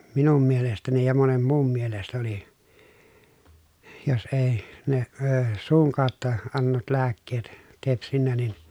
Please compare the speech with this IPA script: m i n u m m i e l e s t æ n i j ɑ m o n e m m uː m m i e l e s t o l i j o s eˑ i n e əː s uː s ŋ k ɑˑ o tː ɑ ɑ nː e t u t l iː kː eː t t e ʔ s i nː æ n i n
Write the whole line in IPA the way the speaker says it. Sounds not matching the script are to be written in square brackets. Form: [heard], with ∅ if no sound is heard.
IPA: m i n u m m i e l e s t æ n i j ɑ m o n e m m uː m m i e l e s t o l i j o s eˑ i n e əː s uː [∅] ŋ k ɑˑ o tː ɑ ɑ nː e t u t l [æː] kː eː t t e [p] s i nː æ n i n